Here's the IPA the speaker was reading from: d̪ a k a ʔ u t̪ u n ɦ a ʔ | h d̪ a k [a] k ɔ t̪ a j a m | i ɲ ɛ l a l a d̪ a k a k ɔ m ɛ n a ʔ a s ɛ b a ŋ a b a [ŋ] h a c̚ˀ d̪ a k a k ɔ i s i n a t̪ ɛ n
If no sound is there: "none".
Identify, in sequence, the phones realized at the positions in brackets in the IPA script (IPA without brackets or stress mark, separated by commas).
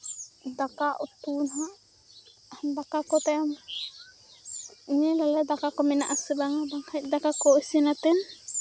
a, ŋ